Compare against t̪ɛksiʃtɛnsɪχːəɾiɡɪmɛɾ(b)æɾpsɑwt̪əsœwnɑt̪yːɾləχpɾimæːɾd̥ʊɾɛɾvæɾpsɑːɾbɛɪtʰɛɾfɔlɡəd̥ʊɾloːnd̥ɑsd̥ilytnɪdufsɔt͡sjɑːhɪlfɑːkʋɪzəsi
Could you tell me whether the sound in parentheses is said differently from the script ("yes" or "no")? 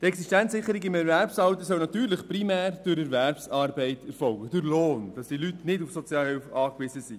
yes